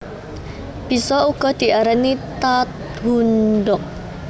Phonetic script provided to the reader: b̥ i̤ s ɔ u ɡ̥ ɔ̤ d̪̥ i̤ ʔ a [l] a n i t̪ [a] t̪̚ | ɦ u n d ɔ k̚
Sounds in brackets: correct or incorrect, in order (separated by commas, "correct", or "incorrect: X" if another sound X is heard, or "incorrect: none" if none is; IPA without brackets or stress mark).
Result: incorrect: ɾ, correct